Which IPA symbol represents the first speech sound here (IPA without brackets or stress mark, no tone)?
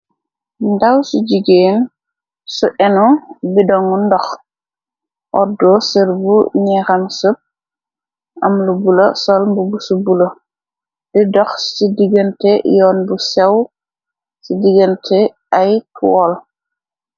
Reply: d